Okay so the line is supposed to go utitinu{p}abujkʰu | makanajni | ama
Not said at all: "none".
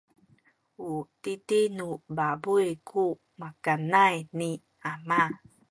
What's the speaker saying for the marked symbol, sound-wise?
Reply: b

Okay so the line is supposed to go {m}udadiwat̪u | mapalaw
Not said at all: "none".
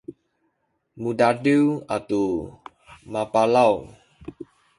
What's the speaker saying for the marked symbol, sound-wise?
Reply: m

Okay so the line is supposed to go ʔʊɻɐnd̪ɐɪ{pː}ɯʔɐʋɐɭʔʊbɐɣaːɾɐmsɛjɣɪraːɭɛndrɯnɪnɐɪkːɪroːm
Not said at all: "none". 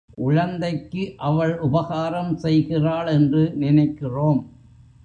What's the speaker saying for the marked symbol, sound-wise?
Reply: kː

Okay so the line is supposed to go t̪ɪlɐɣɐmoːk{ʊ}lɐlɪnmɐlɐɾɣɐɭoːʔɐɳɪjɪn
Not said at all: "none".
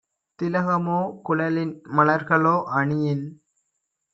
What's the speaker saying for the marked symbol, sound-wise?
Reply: ʊ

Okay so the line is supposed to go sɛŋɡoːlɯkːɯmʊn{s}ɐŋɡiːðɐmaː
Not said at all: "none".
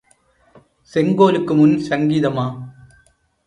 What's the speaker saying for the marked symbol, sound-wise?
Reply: s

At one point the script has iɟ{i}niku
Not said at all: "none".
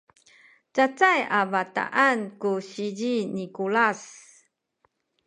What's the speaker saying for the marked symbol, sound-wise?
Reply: i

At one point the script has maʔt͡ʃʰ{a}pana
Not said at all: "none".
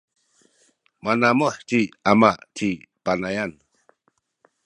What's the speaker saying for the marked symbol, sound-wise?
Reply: i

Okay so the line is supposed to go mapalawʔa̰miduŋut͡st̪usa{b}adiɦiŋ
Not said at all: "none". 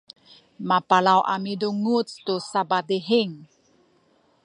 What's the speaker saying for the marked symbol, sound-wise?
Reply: b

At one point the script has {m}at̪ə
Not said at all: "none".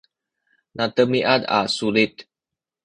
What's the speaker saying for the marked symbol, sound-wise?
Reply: n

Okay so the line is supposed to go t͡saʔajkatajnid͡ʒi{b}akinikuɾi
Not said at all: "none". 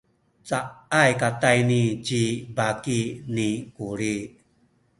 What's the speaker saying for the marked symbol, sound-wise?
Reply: b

